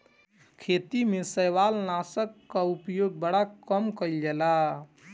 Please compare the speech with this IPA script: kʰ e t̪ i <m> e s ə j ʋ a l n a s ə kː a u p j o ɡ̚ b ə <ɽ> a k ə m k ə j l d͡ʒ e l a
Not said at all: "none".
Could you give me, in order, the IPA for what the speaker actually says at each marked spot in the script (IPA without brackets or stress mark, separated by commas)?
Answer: m, ɽ